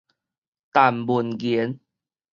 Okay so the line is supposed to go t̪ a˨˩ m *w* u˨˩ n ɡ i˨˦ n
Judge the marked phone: incorrect: b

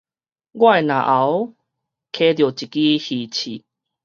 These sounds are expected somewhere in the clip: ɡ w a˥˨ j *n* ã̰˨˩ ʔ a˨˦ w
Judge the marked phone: correct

